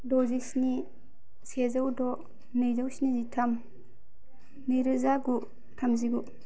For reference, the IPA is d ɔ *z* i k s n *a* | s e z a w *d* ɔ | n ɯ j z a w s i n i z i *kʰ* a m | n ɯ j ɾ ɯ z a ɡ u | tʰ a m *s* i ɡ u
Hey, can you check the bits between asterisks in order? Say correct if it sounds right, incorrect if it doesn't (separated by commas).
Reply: correct, incorrect, correct, incorrect, incorrect